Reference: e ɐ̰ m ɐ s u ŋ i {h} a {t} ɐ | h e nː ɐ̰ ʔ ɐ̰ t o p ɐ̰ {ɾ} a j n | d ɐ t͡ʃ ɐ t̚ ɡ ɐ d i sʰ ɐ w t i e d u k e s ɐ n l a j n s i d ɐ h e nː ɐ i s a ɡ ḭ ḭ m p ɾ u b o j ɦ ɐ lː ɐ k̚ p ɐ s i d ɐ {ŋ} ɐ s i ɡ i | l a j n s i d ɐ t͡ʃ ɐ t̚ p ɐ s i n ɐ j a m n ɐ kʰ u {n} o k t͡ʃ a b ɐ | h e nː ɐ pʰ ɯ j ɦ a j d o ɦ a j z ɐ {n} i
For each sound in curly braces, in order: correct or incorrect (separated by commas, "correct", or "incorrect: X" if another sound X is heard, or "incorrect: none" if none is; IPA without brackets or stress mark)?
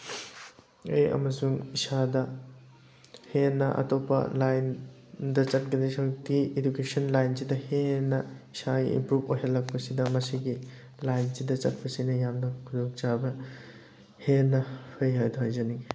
incorrect: s, incorrect: d, incorrect: l, incorrect: m, incorrect: d, correct